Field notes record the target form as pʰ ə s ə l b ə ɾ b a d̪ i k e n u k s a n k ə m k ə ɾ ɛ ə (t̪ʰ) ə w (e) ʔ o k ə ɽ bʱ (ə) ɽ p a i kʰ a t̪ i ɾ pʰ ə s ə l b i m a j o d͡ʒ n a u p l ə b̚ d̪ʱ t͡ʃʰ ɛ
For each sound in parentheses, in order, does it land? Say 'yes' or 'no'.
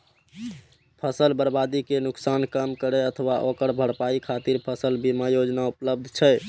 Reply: yes, no, yes

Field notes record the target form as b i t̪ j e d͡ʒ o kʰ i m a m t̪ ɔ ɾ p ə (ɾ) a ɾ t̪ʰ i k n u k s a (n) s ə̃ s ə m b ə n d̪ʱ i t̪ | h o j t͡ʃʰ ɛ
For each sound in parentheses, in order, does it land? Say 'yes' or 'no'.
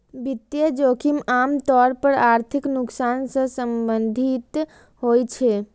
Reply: yes, yes

